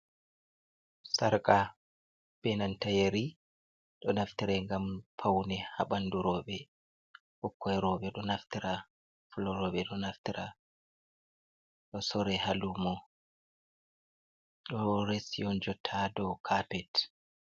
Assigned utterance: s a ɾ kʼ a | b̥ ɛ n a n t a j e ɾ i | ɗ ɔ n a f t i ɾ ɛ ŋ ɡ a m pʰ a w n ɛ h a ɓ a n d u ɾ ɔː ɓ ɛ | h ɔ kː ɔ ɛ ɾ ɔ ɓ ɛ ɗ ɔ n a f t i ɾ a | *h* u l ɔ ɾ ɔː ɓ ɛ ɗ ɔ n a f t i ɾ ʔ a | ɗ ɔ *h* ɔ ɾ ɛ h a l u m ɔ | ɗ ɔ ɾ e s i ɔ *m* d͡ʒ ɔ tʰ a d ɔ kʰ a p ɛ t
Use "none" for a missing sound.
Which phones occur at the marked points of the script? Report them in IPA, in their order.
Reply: f, s, n

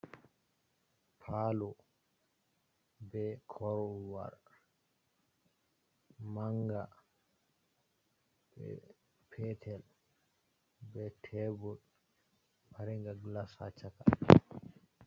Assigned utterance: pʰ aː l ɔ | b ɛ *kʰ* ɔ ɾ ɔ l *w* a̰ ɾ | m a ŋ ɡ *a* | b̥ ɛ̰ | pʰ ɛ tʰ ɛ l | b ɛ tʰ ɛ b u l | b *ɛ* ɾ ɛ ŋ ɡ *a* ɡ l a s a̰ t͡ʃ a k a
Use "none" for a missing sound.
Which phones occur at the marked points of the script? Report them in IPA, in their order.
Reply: kʰ, w, a, a, a

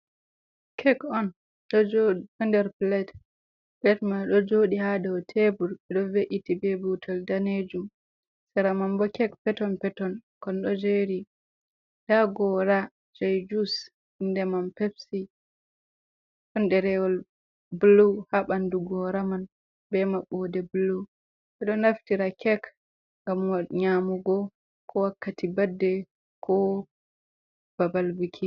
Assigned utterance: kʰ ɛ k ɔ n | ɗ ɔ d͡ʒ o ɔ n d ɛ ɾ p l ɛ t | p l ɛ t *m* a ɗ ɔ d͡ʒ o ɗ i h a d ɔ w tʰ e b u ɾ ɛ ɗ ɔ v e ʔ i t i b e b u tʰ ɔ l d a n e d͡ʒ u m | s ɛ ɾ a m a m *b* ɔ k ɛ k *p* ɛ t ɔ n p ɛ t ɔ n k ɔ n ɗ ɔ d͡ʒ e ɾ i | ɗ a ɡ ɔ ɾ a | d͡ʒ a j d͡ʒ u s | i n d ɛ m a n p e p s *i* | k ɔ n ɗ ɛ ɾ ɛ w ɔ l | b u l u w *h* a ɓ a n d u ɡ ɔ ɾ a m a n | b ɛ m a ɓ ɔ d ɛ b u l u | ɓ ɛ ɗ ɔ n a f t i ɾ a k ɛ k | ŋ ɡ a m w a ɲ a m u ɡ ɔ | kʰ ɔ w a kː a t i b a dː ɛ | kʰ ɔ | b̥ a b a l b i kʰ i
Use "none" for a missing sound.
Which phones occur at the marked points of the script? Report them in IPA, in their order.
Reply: m, b, p, i, h

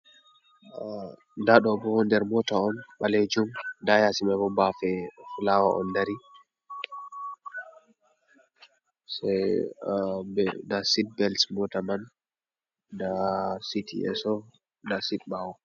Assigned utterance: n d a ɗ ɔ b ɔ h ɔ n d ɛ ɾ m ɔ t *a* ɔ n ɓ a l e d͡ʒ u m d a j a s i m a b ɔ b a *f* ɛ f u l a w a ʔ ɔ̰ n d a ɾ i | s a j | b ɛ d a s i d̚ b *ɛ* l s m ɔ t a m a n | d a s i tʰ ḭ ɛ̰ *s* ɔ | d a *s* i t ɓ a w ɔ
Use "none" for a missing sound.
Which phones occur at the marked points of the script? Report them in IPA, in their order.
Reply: a, f, ɛ, s, s

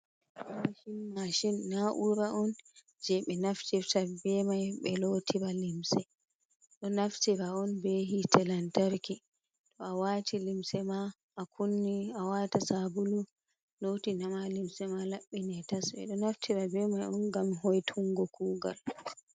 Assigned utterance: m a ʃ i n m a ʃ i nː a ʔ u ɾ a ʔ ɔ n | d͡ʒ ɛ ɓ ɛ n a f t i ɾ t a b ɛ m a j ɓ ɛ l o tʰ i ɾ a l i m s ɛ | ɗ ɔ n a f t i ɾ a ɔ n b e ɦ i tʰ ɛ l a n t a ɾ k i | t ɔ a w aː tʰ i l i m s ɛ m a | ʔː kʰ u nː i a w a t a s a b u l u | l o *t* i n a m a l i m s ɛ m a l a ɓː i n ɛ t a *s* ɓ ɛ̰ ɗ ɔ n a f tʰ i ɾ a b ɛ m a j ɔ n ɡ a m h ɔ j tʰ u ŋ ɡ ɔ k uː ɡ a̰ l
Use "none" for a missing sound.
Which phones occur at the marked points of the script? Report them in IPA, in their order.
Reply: t, s

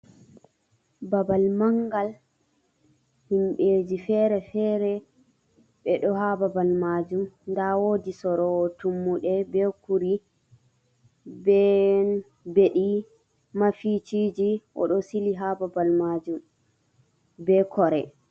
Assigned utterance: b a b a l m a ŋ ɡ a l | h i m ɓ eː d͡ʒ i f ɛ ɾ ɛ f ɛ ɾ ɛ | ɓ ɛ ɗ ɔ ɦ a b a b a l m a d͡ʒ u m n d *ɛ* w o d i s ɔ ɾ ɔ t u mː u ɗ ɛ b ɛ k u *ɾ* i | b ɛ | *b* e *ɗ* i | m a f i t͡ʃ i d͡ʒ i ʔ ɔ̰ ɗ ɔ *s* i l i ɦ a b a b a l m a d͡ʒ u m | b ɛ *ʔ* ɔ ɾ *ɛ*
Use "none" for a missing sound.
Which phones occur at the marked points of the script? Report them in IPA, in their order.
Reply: a, ɾ, b, ɗ, s, k, ɛ

